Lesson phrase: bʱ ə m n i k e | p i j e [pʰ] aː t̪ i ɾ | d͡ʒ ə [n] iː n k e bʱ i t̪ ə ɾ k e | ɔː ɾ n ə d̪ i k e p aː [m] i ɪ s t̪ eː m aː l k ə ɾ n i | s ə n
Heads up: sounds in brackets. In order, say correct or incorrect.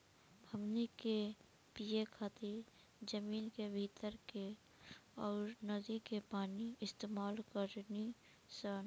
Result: incorrect: kʰ, incorrect: m, incorrect: n

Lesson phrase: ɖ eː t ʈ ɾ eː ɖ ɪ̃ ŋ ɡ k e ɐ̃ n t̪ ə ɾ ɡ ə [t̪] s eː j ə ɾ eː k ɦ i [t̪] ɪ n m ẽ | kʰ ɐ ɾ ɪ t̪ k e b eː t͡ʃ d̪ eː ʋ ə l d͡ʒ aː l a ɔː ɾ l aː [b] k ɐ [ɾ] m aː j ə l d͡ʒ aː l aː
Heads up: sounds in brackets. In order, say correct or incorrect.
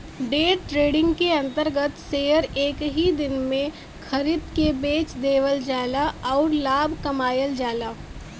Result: correct, incorrect: d̪, correct, incorrect: none

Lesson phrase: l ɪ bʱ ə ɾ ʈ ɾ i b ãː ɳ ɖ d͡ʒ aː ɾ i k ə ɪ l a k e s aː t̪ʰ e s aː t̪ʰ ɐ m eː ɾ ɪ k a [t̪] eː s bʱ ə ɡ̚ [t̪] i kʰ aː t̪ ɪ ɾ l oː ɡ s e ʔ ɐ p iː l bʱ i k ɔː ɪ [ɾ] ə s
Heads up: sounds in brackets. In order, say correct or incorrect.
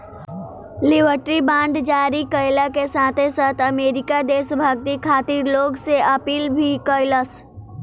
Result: incorrect: d̪, correct, incorrect: l

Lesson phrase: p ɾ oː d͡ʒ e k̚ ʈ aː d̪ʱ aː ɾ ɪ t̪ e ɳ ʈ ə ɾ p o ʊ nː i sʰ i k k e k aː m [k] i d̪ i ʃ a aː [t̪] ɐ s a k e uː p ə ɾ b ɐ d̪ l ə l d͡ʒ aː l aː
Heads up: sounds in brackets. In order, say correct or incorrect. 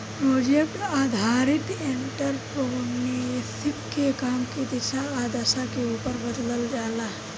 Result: correct, incorrect: d̪

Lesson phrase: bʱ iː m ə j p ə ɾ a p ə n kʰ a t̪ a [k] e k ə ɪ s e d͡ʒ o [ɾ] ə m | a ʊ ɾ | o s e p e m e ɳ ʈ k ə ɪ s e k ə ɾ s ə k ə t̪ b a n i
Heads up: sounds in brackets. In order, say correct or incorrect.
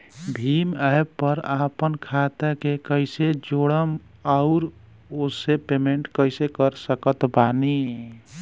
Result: correct, incorrect: ɽ

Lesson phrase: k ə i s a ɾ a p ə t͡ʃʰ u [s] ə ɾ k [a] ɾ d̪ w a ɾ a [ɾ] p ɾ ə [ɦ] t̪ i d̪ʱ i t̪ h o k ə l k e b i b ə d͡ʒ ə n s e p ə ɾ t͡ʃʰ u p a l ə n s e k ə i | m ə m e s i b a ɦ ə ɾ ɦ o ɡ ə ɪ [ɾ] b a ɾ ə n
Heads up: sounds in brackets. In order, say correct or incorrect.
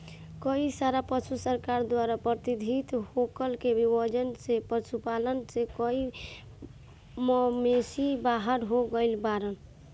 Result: correct, correct, incorrect: none, incorrect: none, incorrect: l

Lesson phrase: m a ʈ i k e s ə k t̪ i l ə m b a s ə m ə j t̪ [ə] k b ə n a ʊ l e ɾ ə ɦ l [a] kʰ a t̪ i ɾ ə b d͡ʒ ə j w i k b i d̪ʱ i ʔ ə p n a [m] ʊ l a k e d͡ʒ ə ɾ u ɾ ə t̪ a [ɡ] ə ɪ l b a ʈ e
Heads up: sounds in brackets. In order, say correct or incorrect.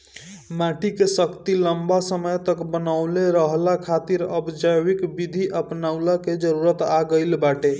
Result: correct, correct, incorrect: none, correct

